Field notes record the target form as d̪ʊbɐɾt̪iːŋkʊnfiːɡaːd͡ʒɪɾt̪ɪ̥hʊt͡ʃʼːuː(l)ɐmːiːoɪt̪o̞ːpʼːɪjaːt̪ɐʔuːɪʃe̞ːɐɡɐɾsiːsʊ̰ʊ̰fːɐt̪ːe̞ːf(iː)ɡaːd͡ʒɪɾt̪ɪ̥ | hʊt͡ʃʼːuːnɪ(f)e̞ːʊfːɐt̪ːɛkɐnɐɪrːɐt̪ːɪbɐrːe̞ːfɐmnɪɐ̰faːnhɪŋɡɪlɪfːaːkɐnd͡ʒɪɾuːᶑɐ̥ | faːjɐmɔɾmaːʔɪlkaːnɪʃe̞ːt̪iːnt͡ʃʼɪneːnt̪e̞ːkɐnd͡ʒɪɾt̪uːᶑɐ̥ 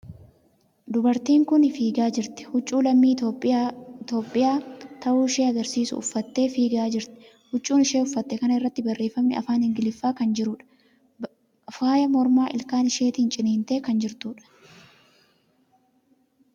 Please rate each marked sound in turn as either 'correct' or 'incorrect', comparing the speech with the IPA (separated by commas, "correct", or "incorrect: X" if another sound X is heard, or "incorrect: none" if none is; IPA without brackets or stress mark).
correct, correct, incorrect: ʃ